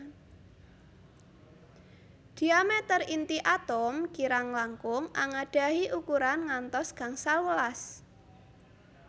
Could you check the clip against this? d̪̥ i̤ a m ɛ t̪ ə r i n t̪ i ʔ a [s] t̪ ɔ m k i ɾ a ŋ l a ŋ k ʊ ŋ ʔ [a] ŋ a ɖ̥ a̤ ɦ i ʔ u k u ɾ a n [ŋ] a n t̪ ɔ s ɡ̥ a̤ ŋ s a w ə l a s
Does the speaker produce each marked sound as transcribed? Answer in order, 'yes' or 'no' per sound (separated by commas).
no, yes, yes